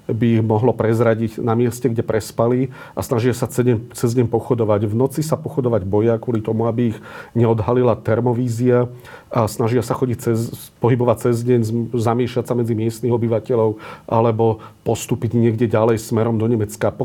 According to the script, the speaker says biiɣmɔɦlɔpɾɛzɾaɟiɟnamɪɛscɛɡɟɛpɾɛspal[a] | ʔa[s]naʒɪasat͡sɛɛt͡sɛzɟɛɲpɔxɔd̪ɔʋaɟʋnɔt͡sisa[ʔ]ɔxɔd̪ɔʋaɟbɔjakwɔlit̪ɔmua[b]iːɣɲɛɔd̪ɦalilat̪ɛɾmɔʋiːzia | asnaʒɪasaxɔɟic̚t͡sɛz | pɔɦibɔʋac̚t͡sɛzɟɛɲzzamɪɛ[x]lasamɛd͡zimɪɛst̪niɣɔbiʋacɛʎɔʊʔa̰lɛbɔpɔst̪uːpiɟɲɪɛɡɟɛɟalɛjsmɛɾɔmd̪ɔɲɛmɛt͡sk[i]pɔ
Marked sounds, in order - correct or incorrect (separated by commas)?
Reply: incorrect, correct, incorrect, correct, incorrect, incorrect